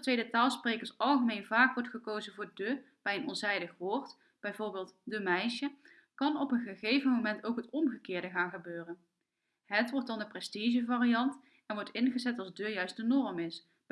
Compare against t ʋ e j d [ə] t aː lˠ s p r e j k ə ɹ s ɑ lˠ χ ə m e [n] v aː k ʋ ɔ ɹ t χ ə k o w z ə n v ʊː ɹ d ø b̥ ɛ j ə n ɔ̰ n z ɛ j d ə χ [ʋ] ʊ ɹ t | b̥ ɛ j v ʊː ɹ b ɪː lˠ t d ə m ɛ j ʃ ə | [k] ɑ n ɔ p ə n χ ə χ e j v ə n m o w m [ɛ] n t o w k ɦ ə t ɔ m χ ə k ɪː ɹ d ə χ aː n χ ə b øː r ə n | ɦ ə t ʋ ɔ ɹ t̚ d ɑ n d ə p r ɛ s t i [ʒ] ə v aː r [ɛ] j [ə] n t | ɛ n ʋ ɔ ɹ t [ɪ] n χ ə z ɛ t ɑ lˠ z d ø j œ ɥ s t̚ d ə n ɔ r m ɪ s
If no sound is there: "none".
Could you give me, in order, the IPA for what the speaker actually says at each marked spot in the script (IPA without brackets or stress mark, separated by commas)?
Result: ə, n, ʋ, k, ɛ, ʒ, i, ɑ, ɪ